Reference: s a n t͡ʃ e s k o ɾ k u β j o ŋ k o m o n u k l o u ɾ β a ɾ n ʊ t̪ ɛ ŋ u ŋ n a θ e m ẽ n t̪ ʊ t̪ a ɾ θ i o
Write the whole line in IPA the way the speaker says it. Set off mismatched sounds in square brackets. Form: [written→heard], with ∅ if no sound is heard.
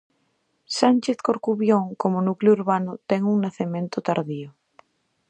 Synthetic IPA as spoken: s a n t͡ʃ e [s→θ] k o ɾ k u β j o ŋ k o m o n u k l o u ɾ β a [ɾ→∅] n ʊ t̪ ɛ ŋ u ŋ n a θ e m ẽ n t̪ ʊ t̪ a ɾ [θ→ð] i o